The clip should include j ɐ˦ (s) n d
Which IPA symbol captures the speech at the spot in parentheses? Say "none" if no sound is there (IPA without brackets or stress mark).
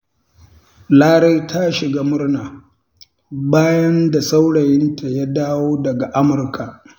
none